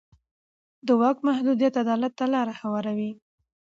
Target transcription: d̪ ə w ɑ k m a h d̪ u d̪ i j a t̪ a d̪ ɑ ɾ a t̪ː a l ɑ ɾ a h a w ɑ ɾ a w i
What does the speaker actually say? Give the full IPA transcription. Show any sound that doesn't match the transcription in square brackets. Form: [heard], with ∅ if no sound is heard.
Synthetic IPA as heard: d̪ ə w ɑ k m a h d̪ u d̪ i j a t̪ a d̪ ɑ [l] a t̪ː a l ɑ ɾ a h a w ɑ ɾ a w i